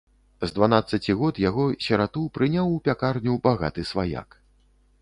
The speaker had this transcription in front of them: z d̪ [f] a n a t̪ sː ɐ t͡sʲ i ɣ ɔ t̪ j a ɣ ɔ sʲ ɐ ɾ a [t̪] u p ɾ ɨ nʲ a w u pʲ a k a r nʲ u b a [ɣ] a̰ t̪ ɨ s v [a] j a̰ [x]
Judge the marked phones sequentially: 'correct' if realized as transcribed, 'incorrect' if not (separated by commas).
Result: incorrect, correct, correct, correct, incorrect